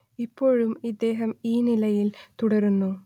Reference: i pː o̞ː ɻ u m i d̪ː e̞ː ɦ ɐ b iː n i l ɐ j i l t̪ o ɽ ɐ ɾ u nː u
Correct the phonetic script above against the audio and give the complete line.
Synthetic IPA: i pː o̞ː ɻ u m i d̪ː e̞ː ɦ ɐ m iː n i l ɐ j i l t̪ u ɽ ɐ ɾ u nː u